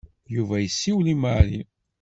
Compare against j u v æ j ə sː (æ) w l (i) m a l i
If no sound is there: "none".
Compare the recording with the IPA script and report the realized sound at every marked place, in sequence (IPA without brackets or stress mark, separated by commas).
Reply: i, i